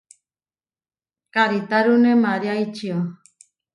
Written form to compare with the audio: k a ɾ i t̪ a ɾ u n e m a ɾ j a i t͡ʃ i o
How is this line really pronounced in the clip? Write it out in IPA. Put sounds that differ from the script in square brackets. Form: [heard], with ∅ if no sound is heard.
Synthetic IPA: k a ɾ i t̪ a ɾ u n e m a ɾ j a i t͡ʃ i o